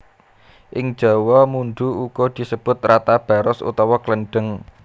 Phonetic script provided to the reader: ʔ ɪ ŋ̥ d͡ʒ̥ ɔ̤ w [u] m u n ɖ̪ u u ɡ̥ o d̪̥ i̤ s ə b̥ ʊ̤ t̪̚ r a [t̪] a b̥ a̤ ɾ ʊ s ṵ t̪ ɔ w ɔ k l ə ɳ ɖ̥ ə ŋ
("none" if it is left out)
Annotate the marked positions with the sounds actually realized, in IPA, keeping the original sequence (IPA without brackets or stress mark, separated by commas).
ɔ, t̪